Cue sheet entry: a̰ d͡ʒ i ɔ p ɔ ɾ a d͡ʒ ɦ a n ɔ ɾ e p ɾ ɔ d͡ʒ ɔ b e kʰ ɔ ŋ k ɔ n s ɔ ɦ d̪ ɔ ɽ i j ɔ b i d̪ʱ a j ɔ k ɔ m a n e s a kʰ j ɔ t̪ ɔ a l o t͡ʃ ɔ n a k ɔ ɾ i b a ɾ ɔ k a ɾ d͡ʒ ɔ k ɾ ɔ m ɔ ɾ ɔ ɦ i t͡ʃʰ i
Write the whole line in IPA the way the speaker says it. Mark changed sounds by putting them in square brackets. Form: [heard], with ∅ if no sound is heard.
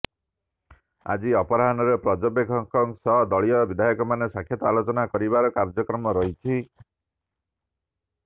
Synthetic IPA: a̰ d͡ʒ i ɔ p ɔ ɾ a [∅] ɦ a n ɔ ɾ e p ɾ ɔ d͡ʒ ɔ b e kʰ ɔ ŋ k ɔ [ŋ] s ɔ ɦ d̪ ɔ [ɭ] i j ɔ b i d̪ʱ a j ɔ k ɔ m a n e s a kʰ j ɔ t̪ ɔ a l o t͡ʃ ɔ n a k ɔ ɾ i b a ɾ ɔ k a ɾ d͡ʒ ɔ k ɾ ɔ m ɔ ɾ ɔ ɦ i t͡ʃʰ i